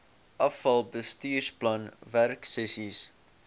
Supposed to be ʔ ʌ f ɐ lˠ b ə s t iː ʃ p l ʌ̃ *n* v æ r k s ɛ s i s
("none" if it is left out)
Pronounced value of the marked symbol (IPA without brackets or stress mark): n